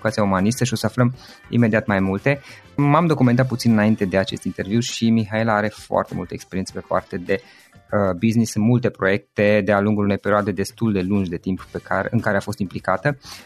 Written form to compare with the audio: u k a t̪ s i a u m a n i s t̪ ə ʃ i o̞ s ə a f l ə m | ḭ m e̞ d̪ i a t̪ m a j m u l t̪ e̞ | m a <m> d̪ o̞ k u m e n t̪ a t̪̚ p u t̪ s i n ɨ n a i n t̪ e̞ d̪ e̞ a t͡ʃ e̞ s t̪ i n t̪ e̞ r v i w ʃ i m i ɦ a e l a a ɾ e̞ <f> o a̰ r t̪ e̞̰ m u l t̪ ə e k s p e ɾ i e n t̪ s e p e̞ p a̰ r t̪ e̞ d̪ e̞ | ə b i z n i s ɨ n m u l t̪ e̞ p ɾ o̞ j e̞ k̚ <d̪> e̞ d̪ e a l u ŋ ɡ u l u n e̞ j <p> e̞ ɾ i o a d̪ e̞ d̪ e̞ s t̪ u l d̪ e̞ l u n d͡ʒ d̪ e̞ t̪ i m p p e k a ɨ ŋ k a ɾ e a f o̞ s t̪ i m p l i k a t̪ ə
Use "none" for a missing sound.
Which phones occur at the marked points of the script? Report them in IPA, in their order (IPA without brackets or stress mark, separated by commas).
m, f, t̪, p